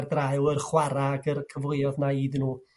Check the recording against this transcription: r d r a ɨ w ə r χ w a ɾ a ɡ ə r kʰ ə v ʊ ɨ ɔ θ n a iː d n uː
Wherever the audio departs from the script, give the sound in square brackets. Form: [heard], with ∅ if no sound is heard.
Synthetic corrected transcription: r d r a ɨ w ə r χ w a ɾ a ɡ ə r kʰ ə v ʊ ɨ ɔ [ð] n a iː d n uː